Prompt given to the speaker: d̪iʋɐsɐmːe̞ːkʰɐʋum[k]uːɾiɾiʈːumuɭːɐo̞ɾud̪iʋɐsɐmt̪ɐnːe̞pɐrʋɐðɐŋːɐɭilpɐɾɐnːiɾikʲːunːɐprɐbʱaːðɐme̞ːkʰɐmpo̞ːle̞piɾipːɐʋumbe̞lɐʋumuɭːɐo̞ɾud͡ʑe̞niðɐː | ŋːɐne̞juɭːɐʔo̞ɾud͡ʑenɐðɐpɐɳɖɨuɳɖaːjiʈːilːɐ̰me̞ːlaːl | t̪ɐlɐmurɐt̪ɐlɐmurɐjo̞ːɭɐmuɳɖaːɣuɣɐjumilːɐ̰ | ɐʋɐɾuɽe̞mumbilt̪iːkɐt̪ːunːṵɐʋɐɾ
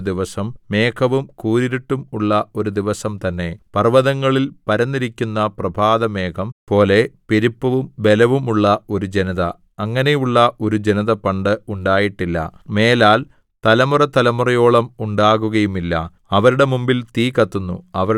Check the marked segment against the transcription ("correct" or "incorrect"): correct